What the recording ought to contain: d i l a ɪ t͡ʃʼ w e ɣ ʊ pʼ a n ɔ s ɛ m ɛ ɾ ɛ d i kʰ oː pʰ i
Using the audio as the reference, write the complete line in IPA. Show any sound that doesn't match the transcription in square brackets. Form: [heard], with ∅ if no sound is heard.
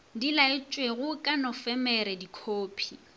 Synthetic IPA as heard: d i l a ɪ t͡ʃʼ w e ɣ ʊ [kʼ] a n ɔ [f] ɛ m ɛ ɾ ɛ d i kʰ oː pʰ i